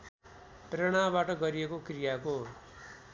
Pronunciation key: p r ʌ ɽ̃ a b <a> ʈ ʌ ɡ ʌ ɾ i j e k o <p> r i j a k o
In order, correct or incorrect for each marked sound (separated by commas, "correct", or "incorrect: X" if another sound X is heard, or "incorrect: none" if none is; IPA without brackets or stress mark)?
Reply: correct, incorrect: k